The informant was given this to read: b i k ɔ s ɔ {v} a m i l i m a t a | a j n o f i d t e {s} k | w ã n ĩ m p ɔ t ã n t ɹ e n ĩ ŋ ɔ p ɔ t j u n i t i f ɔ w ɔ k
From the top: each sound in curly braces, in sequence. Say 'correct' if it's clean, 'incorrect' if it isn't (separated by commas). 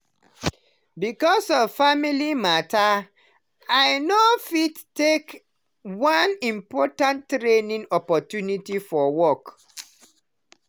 incorrect, incorrect